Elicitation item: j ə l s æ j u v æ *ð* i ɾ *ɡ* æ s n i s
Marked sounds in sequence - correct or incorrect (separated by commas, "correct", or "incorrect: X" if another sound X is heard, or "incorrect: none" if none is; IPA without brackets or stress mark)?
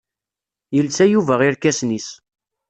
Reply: incorrect: ʁ, incorrect: k